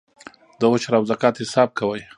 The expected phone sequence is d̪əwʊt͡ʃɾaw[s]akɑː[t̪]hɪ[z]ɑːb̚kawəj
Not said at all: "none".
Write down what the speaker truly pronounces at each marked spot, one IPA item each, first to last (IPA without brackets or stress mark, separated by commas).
z, t̪, s